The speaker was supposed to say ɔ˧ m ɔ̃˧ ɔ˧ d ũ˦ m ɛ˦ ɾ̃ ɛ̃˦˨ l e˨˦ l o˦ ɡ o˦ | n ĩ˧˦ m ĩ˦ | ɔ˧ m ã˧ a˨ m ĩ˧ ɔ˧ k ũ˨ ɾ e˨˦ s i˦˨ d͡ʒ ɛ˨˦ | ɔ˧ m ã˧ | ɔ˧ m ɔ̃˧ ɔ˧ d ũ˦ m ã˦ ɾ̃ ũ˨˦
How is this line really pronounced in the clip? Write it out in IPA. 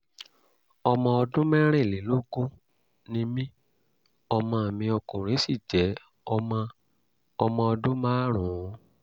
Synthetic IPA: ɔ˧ m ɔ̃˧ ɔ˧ d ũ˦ m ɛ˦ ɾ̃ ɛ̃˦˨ l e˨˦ l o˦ ɡ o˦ | n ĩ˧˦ m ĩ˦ | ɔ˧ m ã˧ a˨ m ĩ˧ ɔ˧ k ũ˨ ɾ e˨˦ s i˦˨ d͡ʒ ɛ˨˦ | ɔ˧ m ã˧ | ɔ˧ m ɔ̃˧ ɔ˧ d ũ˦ m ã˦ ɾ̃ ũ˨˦